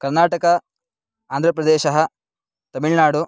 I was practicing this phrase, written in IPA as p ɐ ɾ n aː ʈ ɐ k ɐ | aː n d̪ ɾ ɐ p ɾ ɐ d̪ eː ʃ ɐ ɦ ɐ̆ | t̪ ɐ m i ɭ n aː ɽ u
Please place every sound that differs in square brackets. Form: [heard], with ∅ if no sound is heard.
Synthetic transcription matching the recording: [k] ɐ ɾ n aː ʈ ɐ k ɐ | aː n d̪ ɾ ɐ p ɾ ɐ d̪ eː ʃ ɐ ɦ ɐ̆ | t̪ ɐ m i ɭ n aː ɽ u